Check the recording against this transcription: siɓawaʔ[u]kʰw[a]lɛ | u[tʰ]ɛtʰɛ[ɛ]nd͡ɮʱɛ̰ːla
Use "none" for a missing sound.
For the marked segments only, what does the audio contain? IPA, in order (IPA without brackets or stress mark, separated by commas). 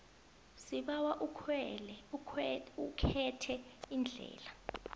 u, ɛ, kʰ, i